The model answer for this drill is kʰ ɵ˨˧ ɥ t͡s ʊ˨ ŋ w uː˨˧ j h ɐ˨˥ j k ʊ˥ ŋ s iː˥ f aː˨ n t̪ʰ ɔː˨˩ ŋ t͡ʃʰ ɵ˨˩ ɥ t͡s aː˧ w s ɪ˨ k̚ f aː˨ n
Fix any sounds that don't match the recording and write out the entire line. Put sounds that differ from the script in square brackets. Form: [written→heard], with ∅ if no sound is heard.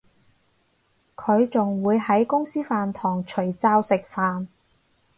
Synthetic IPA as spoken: kʰ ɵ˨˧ ɥ t͡s ʊ˨ ŋ w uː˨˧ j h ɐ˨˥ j k ʊ˥ ŋ s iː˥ f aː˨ n t̪ʰ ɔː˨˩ ŋ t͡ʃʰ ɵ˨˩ ɥ t͡s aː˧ w s ɪ˨ k̚ f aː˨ n